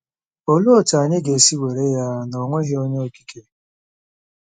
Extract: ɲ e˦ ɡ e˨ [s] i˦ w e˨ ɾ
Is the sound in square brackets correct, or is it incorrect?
correct